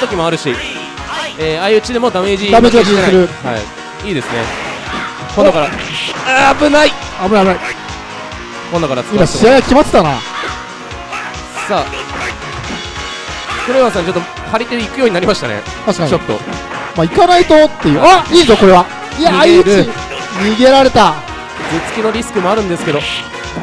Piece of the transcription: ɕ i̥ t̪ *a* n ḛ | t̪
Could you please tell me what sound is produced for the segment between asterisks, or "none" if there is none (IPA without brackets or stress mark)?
a